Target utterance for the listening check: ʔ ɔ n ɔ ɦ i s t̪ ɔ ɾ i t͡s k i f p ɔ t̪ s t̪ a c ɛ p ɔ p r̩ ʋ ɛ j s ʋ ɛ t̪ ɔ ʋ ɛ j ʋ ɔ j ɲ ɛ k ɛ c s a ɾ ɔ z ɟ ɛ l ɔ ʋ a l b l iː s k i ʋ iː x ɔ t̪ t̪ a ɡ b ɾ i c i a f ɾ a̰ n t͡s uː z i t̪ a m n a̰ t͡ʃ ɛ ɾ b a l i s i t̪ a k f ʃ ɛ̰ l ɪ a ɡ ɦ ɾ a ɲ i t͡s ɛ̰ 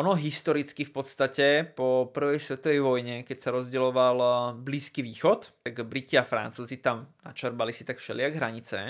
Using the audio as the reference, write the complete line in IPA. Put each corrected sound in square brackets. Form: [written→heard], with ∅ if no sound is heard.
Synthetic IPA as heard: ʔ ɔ n ɔ ɦ i s t̪ ɔ ɾ i t͡s k i f p ɔ t̪ s t̪ a c ɛ p ɔ p r̩ ʋ ɛ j s ʋ ɛ t̪ ɔ ʋ ɛ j ʋ ɔ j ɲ ɛ k ɛ c s a ɾ ɔ z ɟ ɛ l ɔ ʋ a l b l iː s k i ʋ iː x ɔ t̪ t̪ a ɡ b ɾ i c i a f ɾ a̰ n t͡s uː z i t̪ a m n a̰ t͡ʃ ɛ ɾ b a l i s i t̪ a k f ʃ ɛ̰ l ɪ a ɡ ɦ ɾ a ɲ i t͡s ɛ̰